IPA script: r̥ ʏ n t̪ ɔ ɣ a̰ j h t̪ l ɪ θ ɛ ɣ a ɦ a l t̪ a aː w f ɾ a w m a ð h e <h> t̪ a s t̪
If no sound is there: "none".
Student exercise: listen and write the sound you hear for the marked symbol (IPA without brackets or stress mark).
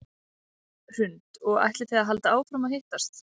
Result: h